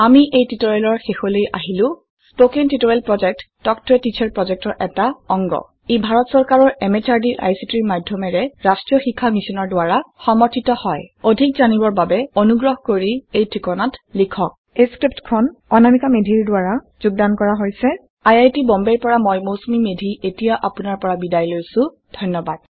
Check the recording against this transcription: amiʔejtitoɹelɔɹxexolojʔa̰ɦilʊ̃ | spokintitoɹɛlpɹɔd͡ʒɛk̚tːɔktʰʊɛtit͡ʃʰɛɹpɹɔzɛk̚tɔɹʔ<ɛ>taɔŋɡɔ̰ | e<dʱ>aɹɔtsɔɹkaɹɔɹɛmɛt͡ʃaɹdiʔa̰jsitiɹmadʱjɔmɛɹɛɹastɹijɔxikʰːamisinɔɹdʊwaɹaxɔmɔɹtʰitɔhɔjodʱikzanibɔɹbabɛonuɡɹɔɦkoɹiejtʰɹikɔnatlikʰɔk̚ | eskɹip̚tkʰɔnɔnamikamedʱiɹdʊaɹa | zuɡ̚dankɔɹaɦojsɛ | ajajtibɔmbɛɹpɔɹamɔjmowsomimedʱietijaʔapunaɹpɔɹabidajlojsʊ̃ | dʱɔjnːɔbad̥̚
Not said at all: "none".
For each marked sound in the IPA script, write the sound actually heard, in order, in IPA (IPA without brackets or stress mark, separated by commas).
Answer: ɛ, bʱ